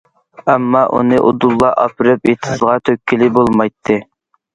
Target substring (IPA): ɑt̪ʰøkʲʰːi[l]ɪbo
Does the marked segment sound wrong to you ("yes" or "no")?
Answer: no